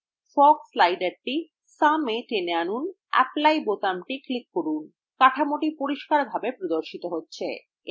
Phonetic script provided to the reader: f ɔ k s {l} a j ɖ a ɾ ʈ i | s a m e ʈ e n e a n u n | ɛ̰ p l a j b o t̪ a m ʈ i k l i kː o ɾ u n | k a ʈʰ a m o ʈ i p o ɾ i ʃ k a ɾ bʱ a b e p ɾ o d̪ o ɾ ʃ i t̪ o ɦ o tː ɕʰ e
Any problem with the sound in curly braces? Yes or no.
no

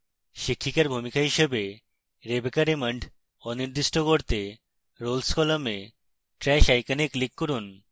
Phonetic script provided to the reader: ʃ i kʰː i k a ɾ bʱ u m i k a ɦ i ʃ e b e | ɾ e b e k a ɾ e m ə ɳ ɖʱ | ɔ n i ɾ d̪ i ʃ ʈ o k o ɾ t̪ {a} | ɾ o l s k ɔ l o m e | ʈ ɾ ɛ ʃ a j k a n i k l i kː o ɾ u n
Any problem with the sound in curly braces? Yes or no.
yes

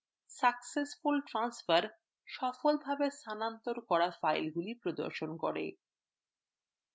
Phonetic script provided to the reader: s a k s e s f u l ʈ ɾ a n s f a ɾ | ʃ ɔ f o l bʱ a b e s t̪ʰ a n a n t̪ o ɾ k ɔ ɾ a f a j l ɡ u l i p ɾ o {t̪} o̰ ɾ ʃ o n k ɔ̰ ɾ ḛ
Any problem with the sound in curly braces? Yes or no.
yes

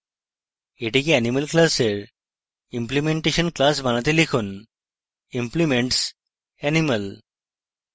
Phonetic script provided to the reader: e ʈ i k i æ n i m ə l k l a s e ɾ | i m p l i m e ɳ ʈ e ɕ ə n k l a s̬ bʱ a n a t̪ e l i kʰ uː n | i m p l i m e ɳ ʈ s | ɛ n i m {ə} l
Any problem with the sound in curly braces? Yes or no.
no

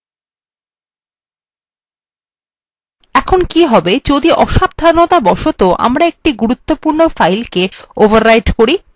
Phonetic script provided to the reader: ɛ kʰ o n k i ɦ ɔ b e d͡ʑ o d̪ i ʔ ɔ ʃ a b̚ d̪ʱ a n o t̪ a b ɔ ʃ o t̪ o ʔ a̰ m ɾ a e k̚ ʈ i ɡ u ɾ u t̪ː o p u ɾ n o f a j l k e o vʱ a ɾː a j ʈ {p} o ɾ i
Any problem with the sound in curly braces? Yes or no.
yes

